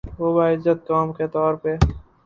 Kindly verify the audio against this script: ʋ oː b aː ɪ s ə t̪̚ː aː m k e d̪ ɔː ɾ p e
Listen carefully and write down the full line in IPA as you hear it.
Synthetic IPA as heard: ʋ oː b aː ɪ z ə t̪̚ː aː m k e t̪ ɔː ɾ p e